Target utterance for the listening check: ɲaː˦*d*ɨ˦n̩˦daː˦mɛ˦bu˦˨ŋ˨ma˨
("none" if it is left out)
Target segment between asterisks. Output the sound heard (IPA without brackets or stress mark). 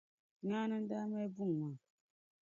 n